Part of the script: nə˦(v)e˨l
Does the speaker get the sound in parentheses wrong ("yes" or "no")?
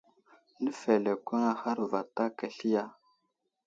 yes